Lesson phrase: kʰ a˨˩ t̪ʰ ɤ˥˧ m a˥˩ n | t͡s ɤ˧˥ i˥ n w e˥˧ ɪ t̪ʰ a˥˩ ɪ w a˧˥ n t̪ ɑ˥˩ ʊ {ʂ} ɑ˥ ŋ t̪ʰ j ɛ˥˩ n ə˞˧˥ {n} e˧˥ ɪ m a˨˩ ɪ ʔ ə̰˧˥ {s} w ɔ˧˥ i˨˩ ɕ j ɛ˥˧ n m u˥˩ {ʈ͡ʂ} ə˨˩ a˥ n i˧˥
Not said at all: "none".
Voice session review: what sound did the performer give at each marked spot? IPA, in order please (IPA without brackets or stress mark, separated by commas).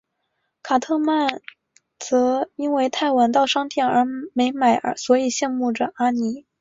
ʂ, m, s, ʈ͡ʂ